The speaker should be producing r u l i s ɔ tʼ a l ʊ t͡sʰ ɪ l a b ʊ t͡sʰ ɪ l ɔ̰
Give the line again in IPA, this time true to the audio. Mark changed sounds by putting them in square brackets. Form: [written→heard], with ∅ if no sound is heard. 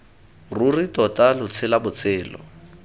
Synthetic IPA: r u [l→r] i [s→t] ɔ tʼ a l ʊ t͡sʰ ɪ l a b ʊ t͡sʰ [ɪ→ɪː] l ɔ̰